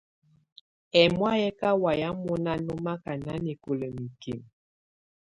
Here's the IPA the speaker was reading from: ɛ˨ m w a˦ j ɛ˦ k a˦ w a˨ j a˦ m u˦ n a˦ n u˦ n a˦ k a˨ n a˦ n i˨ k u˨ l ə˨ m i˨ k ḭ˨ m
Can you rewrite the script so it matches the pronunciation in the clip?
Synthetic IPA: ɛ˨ m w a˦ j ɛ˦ k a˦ w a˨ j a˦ m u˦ n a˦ n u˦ m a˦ k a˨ n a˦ n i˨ k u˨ l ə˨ m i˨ k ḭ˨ m

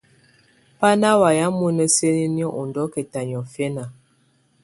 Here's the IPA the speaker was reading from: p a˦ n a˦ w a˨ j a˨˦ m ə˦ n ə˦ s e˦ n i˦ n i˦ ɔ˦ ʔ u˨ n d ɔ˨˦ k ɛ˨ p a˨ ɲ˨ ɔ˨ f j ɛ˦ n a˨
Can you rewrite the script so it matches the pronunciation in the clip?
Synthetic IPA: p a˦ n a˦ w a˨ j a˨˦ m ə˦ n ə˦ s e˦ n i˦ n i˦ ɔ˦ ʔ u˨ n d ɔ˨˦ k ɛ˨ t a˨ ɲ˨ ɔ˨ f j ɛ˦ n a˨

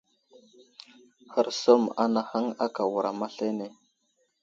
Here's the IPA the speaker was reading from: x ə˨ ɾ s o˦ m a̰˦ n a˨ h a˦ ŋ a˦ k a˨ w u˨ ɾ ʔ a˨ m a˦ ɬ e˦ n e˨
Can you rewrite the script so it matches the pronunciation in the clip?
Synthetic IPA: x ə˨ ɾ s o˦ m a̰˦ n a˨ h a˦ ŋ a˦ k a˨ w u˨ ɾ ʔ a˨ m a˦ ɬ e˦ n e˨

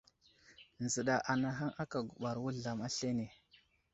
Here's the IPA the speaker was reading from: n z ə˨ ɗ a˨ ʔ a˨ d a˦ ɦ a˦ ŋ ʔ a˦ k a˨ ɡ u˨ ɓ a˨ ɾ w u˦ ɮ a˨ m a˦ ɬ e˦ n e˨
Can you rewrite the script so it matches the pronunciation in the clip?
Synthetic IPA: n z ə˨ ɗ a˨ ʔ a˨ n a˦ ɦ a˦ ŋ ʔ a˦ k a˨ ɡ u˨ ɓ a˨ ɾ w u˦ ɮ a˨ m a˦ ɬ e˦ n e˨

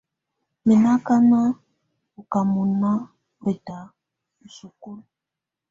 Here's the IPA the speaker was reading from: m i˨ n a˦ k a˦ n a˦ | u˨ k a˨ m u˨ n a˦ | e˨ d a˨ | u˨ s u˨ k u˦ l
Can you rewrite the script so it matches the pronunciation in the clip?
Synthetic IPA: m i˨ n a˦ k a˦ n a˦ | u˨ k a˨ m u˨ n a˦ | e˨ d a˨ | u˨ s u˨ k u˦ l

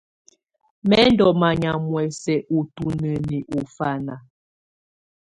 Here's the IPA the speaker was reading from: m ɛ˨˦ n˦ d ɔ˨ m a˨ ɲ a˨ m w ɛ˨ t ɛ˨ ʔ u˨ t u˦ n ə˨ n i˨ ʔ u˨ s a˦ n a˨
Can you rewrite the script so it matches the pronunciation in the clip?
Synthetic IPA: m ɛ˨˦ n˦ d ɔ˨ m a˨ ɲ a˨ m w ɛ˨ s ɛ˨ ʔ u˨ t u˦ n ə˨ n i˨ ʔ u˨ f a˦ n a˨

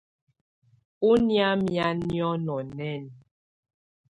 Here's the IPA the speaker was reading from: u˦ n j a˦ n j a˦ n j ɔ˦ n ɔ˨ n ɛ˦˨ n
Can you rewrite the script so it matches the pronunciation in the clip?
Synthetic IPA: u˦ n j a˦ m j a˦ n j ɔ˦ n ɔ˨ n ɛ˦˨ n

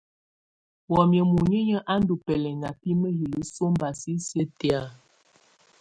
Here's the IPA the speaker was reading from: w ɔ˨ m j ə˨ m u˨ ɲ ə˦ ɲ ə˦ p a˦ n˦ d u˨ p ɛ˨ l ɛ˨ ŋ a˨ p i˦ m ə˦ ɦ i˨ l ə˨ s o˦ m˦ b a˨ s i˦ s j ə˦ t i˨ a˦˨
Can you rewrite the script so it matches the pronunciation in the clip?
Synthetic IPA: w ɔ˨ m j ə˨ m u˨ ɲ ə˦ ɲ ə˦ ʔ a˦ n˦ d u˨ p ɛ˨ l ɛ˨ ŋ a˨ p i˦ m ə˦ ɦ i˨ l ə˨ s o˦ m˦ b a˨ s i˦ s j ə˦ t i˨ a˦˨

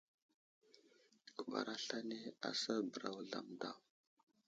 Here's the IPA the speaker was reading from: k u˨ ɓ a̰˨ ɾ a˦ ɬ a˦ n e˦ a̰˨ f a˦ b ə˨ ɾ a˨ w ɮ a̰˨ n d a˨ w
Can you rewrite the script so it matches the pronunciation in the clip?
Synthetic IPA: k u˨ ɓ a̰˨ ɾ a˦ ɬ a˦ n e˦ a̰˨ s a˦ b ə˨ ɾ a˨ w ɮ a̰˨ m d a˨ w

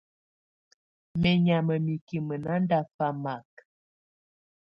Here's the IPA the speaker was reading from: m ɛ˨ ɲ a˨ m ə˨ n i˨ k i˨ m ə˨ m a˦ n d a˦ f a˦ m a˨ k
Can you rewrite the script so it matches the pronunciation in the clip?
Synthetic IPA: m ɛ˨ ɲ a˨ m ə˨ m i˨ k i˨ m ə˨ n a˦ n d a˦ f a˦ m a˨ k

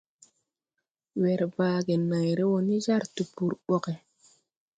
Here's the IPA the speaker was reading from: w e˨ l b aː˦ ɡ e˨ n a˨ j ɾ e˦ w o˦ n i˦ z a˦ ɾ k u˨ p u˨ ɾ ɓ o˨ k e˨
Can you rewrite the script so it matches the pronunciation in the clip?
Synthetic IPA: w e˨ ɾ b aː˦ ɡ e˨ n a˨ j ɾ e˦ w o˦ n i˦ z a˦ ɾ t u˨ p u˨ ɾ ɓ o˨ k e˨

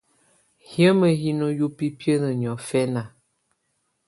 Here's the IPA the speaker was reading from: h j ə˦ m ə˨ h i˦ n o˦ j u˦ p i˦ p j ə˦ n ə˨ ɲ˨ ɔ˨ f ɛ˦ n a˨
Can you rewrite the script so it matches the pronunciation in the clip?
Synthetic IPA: h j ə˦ m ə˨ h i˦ n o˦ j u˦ p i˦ p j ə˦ n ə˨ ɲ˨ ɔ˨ f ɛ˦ n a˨

